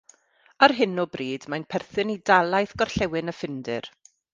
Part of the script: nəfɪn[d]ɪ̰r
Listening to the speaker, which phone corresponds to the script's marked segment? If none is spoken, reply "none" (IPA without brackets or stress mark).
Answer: d